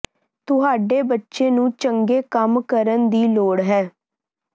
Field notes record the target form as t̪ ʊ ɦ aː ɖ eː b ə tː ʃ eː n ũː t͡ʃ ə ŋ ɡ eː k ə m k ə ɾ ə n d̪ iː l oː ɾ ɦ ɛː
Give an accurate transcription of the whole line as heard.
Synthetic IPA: t̪ ʊ ɦ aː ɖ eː b ə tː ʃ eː n ũː t͡ʃ ə ŋ ɡ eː k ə m k ə ɾ ə n d̪ iː l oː ɽ ɦ ɛː